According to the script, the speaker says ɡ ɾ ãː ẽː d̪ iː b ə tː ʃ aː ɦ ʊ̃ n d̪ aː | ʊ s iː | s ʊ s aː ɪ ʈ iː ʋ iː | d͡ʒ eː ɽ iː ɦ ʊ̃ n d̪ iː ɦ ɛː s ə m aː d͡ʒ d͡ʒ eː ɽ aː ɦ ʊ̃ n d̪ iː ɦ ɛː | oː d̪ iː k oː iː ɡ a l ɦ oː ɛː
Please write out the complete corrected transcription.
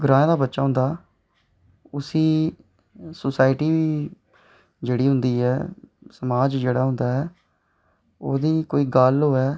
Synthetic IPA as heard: ɡ ɾ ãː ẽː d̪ aː b ə tː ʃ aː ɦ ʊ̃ n d̪ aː | ʊ s iː | s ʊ s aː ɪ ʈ iː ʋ iː | d͡ʒ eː ɽ iː ɦ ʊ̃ n d̪ iː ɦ ɛː s ə m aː d͡ʒ d͡ʒ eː ɽ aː ɦ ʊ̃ n d̪ aː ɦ ɛː | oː d̪ iː k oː iː ɡ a l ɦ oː ɛː

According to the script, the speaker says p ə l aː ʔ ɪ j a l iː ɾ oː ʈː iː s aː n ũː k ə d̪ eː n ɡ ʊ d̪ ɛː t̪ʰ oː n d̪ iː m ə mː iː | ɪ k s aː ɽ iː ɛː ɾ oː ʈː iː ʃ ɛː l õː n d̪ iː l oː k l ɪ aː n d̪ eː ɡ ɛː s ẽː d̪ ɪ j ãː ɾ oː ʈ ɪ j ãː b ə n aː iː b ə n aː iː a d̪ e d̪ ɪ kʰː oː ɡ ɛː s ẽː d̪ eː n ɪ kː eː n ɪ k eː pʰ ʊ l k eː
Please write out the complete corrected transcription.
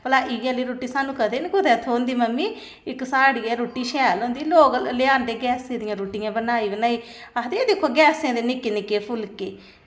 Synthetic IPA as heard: p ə l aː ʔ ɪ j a l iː ɾ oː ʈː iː s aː n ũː k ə d̪ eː n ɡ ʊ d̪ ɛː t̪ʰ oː n d̪ iː m ə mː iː | ɪ k s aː ɽ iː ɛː ɾ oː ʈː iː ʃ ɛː l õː n d̪ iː l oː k l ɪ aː n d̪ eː ɡ ɛː s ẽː d̪ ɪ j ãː ɾ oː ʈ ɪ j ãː b ə n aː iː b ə n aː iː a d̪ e d̪ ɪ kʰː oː ɡ ɛː s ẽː d̪ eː n ɪ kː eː n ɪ k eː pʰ ʊ l k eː

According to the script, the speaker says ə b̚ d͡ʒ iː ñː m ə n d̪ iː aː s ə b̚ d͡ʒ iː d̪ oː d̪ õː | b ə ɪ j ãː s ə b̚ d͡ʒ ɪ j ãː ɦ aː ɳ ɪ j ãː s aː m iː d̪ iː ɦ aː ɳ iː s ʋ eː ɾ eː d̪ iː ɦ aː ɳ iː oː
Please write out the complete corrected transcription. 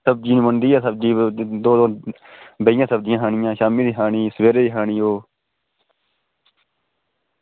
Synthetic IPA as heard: ə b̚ d͡ʒ iː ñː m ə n d̪ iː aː s ə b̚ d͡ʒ iː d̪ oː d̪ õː | b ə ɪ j ãː s ə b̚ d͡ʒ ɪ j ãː ɦ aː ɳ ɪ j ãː ʃ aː m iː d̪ iː ɦ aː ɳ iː s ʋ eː ɾ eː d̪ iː ɦ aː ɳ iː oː

